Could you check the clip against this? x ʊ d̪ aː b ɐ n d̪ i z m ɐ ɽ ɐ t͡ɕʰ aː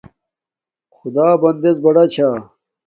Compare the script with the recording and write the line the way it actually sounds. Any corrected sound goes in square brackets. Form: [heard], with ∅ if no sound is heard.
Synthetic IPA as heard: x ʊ d̪ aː b ɐ n d̪ [e] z [b] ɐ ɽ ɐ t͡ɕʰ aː

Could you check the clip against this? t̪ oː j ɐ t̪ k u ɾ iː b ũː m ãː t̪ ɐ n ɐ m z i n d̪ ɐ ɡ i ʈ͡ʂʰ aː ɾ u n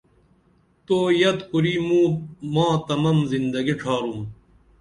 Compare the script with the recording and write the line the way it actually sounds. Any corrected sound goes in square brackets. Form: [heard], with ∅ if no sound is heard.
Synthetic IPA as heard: t̪ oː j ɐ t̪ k u ɾ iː [m] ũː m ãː t̪ ɐ [m] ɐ m z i n d̪ ɐ ɡ i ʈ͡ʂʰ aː ɾ u [m]

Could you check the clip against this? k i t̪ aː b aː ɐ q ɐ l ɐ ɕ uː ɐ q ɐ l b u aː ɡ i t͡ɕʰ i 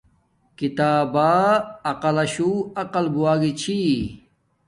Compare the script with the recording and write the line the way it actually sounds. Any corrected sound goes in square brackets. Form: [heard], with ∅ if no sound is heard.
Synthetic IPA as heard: k i t̪ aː b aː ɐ q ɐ l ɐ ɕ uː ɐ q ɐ l b u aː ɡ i t͡ɕʰ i

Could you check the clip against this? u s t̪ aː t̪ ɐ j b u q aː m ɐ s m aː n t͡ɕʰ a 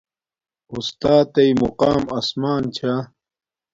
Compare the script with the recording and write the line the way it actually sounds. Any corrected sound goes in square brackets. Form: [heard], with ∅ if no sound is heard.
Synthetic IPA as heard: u s t̪ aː t̪ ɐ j [m] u q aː m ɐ s m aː n t͡ɕʰ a

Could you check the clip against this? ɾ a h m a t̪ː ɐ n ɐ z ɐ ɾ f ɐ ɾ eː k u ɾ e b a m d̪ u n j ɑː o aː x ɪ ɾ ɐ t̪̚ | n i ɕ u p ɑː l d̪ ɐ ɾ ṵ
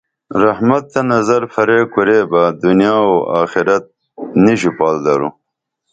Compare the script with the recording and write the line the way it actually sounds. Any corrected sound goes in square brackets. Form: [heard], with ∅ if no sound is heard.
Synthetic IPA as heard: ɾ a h m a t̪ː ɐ n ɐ z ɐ ɾ f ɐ ɾ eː k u ɾ e b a [∅] d̪ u n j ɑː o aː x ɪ ɾ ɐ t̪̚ | n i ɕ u p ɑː l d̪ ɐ ɾ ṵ

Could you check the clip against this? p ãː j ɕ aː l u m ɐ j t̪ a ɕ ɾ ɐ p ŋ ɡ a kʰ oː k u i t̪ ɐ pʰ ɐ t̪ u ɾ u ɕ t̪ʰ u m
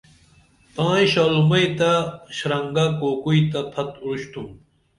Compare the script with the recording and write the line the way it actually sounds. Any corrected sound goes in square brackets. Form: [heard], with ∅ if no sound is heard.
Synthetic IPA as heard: p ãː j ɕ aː l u m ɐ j t̪ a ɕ ɾ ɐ [∅] ŋ ɡ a [k] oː k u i t̪ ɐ pʰ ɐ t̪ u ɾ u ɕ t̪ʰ u m

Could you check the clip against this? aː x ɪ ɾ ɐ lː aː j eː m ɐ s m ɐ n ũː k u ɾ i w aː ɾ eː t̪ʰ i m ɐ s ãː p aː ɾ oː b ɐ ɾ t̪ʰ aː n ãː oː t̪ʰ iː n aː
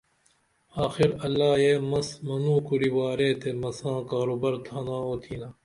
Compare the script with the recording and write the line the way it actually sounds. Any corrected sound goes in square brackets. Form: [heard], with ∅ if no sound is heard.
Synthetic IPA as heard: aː x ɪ ɾ ɐ lː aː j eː m ɐ s m ɐ n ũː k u ɾ i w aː ɾ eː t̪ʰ [e] m ɐ s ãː [k] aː ɾ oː b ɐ ɾ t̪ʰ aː n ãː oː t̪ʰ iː n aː

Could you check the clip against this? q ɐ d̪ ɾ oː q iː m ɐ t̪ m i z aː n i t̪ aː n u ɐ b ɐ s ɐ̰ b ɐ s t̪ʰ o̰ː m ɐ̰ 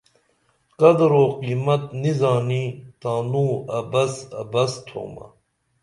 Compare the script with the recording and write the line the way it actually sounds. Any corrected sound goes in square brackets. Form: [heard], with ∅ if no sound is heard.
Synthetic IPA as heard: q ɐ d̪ ɾ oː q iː m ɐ t̪ [n] i z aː n i t̪ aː n u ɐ b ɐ s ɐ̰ b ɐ s t̪ʰ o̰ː m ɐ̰

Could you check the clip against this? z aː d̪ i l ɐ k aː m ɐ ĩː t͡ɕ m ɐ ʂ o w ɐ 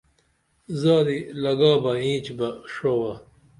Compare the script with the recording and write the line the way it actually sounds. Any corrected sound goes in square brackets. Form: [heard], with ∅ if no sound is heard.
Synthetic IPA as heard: z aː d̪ i l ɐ [ɡ] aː [b] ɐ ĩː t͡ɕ [b] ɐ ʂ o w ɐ

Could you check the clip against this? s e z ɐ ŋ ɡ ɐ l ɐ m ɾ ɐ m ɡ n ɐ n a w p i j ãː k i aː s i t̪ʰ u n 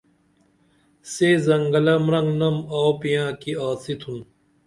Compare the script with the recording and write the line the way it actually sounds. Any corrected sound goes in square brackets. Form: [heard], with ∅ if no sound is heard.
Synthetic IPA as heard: s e z ɐ ŋ ɡ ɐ l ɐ m ɾ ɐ [ŋ] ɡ n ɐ [m] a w p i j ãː k i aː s i t̪ʰ u n

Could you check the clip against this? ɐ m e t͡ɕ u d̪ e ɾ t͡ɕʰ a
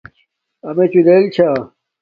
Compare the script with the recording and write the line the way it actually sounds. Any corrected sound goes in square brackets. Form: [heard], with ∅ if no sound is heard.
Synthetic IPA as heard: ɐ m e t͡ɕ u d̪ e [l] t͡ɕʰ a

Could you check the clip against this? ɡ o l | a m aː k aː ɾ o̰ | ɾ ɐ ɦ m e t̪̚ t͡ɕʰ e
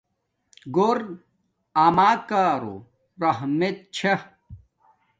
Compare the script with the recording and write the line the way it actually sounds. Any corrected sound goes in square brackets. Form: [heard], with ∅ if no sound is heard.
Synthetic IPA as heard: ɡ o [ɾ] | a m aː k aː ɾ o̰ | ɾ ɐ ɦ m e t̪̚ t͡ɕʰ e

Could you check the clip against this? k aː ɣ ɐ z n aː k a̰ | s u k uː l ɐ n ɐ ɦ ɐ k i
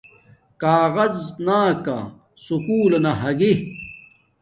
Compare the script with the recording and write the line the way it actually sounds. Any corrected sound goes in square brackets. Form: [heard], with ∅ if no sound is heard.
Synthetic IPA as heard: k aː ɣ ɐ z n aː k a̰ | s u k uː l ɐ n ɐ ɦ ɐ [ɡ] i

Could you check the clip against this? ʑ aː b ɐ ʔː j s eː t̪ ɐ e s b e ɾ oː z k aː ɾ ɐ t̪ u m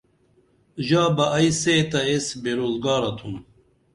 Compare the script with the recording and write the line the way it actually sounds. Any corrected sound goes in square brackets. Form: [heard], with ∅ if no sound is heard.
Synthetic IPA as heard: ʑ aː b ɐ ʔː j s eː t̪ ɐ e s b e ɾ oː z [ɡ] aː ɾ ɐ [t̪ʰ] u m

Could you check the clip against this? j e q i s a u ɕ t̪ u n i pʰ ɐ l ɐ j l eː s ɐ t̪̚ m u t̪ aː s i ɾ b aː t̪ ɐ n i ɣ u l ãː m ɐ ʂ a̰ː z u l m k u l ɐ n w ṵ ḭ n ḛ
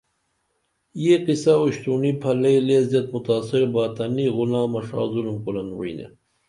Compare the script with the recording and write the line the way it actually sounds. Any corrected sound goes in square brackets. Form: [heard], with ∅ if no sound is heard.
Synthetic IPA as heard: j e q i s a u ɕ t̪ u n i pʰ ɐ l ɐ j l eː [z] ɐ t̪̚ m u t̪ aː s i ɾ b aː t̪ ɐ n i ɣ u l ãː m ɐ ʂ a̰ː z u l m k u l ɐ n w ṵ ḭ n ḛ

